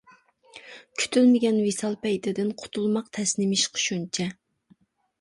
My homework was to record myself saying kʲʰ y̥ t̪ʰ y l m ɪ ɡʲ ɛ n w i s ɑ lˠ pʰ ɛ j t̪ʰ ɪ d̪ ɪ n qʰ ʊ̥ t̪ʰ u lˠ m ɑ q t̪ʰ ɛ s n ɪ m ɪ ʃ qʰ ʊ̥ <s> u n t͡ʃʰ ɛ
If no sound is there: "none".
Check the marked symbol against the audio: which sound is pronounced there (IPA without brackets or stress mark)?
ʃ